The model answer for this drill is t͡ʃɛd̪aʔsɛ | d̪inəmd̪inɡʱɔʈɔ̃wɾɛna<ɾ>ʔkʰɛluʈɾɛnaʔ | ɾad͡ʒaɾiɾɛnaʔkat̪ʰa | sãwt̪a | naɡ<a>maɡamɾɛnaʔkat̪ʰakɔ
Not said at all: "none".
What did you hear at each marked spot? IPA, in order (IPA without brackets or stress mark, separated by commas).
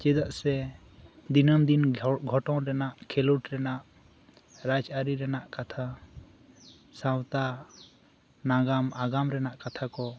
none, a